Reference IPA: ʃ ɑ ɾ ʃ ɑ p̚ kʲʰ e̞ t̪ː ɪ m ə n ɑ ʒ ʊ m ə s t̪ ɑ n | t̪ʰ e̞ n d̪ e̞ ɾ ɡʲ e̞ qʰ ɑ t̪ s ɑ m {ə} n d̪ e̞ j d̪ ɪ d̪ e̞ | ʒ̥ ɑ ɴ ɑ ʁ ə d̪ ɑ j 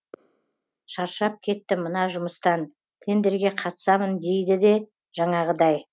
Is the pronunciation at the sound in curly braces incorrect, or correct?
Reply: correct